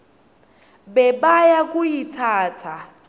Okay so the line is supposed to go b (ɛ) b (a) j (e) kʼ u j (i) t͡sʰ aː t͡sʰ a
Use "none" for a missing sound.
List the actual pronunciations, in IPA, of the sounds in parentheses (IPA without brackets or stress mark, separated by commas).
ɛ, a, a, i